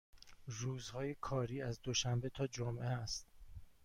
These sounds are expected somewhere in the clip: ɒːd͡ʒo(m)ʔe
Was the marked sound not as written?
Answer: no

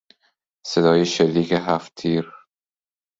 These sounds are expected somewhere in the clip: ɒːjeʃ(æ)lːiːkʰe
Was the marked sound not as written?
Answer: yes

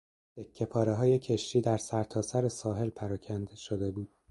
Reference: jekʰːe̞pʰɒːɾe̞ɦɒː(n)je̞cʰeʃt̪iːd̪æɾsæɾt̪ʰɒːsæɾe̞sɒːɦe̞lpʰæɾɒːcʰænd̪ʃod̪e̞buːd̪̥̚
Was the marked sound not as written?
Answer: yes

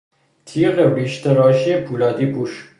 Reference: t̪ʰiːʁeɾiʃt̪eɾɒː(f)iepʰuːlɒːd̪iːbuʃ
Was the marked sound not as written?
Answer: yes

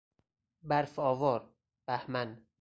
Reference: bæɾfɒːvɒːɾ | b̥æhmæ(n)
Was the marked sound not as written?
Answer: no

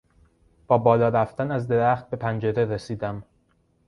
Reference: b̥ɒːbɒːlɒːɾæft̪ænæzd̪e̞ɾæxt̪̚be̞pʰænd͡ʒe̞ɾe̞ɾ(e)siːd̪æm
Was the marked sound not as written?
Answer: no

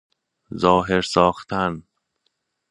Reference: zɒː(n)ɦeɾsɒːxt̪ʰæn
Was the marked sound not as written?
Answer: yes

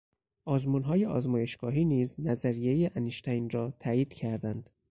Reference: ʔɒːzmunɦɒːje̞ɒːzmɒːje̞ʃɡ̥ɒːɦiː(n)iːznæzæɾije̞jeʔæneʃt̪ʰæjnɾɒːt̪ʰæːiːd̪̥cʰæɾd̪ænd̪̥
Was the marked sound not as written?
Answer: no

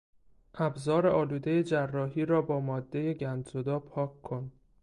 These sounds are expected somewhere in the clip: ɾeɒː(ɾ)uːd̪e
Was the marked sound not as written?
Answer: yes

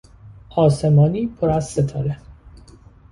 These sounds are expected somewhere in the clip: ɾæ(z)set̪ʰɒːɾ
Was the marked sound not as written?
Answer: no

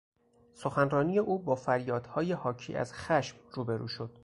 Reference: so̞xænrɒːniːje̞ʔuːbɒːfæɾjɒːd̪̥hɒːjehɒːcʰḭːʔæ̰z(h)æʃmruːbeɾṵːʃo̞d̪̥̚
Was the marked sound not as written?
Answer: yes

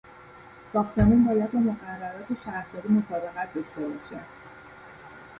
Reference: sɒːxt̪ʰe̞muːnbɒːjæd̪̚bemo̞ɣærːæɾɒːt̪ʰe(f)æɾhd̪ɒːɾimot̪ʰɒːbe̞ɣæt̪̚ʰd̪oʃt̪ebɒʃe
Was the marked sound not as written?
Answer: yes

